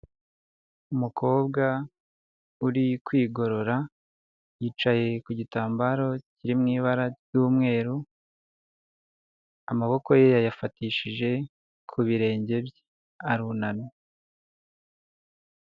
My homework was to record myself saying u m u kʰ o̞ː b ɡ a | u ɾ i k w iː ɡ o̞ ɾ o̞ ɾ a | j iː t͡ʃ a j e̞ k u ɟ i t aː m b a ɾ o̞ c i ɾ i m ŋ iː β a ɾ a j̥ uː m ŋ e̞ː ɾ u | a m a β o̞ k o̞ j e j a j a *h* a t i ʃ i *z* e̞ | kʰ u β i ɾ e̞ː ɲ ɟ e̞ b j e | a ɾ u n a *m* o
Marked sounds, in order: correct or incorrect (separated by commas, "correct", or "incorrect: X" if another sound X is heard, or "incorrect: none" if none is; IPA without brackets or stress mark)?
incorrect: f, incorrect: ʒ, incorrect: n